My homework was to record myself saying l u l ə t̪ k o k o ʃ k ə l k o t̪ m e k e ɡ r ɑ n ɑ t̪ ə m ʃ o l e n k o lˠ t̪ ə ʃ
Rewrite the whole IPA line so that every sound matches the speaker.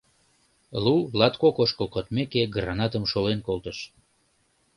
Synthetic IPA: l u l ɑ t̪ k o k o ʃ k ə l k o t̪ m e k e ɡ r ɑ n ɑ t̪ ə m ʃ o l e n k o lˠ t̪ ə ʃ